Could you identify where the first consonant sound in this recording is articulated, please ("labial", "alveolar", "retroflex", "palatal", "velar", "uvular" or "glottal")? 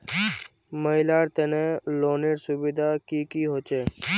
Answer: labial